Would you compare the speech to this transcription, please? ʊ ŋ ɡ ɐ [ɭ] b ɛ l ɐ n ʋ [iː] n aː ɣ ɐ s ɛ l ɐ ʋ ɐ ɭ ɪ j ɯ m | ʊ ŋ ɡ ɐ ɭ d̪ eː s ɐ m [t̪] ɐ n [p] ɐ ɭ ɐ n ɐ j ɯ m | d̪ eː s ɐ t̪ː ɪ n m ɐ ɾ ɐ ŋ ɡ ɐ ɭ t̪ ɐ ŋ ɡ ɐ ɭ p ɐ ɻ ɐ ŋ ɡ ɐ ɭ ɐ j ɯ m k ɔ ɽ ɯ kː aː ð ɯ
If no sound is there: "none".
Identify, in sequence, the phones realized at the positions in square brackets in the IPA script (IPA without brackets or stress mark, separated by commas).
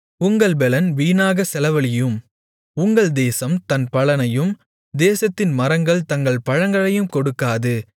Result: ɭ, iː, t̪, p